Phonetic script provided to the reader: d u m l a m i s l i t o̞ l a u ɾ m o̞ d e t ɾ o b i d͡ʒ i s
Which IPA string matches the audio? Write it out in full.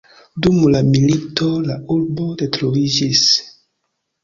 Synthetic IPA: d u m l a m i l i t o̞ l a u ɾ b o̞ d e t ɾ o v i d͡ʒ i s

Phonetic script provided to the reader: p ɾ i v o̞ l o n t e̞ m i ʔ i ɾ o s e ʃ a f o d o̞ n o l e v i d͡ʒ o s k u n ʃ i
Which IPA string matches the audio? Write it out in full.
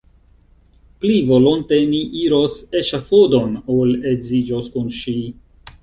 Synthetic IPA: p l i v o̞ l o n t e̞ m i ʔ i ɾ o s e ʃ a f o d o̞ n o l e z i d͡ʒ o s k u n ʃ i

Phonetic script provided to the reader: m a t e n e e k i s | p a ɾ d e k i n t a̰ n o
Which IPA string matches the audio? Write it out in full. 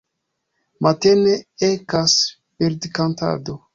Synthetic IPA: m a t e n e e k a s | p e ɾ d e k a n t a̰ d o

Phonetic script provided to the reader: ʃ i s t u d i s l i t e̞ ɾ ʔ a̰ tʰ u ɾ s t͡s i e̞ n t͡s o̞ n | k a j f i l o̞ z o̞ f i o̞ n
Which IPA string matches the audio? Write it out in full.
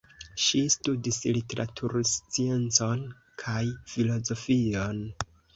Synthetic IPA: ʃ i s t u d i s l i t e̞ ɾ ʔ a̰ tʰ u ɾ s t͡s i e̞ n t͡s o̞ n | kʰ a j f i l o̞ z o̞ f i o̞ n

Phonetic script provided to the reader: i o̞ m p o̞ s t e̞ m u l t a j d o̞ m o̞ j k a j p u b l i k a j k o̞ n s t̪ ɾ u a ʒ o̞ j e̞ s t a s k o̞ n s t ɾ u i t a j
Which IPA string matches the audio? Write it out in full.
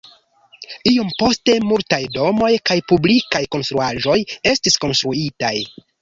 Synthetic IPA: i o̞ m p o̞ s t e̞ m u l t a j d o̞ m o̞ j k a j p u b l i k a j k o̞ n s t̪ ɾ u a ʒ o̞ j e̞ s t i s k o̞ n s t ɾ u i t a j

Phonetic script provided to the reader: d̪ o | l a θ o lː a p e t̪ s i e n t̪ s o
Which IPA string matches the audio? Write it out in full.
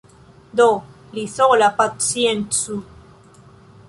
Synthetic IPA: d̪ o | l i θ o l a p a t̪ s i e n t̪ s u

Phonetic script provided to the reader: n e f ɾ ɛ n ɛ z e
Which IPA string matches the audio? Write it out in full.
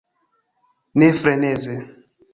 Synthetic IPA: n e f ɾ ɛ n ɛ z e

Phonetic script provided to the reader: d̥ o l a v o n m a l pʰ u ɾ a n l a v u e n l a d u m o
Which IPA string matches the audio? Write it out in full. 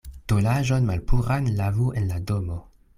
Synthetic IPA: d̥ o l a ʒ o n m a l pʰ u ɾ a n l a v u e n l a d o m o

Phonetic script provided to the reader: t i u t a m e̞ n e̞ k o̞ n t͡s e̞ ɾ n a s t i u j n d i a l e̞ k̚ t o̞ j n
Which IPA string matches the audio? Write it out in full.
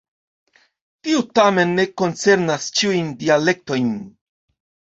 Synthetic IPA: t i u t a m e̞ nː e̞ k o̞ n t͡s e̞ ɾ n a s t͡ʃ i u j n d i a l e̞ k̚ t o̞ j n

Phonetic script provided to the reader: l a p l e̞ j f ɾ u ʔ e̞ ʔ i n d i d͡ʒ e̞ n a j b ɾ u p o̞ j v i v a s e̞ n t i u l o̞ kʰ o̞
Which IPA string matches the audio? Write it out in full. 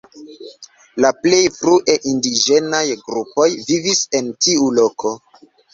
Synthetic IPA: l a p l e̞ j f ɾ u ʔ e̞ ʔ i n d i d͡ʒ e̞ n a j ɡ ɾ u p o̞ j v i v i s e̞ n t i u l o̞ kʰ o̞

